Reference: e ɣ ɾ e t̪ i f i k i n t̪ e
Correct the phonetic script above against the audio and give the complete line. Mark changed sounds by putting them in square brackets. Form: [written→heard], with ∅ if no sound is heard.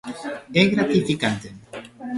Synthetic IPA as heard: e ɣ ɾ [e→a] t̪ i f i k [i→a] n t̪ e